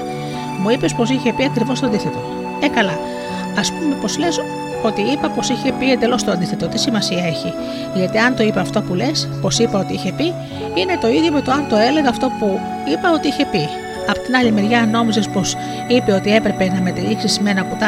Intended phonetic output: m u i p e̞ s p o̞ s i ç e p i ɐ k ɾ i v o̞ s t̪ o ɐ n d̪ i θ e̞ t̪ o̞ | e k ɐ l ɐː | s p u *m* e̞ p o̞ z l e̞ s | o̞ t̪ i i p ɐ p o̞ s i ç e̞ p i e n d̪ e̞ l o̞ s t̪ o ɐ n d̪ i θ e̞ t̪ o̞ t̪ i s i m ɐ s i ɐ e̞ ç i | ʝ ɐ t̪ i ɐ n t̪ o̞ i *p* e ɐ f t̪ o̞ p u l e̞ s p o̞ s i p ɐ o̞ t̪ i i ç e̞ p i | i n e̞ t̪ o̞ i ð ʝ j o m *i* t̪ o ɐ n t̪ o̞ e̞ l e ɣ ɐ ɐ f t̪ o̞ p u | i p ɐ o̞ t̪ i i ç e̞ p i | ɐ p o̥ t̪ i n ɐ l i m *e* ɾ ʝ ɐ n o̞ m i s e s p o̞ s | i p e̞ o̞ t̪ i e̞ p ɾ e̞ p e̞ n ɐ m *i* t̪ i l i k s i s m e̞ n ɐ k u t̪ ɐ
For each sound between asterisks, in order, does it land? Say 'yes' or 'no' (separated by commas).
yes, yes, no, yes, no